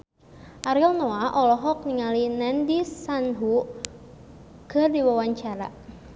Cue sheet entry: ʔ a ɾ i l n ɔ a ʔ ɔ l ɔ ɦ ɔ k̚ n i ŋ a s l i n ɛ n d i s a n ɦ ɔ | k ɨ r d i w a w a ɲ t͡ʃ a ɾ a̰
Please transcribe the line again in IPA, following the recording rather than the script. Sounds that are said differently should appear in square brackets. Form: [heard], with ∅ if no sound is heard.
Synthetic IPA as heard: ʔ a ɾ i l n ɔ a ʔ ɔ l ɔ ɦ ɔ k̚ n i ŋ a [∅] l i n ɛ n d i s a n ɦ [u] | k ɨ r d i w a w a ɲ t͡ʃ a ɾ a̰